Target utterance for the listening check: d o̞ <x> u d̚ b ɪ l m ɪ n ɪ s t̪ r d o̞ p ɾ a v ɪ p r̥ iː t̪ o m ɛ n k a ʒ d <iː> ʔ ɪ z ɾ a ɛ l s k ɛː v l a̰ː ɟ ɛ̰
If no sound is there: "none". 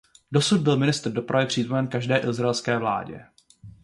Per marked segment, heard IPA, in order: s, ɛː

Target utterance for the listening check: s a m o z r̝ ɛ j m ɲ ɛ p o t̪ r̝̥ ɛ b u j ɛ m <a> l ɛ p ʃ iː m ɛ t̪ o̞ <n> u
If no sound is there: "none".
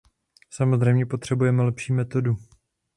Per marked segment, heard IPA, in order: ɛ, d

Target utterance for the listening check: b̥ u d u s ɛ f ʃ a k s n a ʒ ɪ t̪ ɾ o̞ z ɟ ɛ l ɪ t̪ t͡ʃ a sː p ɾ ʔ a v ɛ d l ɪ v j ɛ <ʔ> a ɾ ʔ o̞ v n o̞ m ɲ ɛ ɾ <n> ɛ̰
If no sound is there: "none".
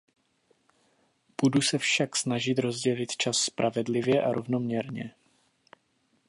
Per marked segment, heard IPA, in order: ʔ, ɲ

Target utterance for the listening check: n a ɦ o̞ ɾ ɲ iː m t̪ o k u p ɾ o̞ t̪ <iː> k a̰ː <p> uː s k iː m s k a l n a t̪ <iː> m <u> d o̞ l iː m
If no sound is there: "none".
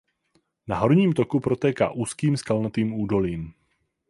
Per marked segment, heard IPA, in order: ɛː, ʔ, iː, uː

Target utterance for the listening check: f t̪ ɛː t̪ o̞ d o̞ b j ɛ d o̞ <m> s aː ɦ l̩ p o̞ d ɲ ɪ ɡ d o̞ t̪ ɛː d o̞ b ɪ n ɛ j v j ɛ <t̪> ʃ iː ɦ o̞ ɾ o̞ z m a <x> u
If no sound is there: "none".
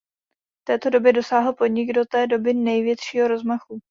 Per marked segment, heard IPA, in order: none, t̪, x

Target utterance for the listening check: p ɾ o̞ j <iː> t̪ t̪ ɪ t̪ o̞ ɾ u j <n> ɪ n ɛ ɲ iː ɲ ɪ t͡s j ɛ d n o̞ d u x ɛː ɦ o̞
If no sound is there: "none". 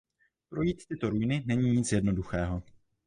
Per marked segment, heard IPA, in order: iː, n

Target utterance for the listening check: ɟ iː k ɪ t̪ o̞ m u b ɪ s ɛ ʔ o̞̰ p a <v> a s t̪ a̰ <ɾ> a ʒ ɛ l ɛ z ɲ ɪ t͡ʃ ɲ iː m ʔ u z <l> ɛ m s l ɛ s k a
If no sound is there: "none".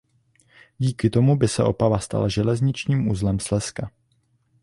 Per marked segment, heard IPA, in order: v, l, l

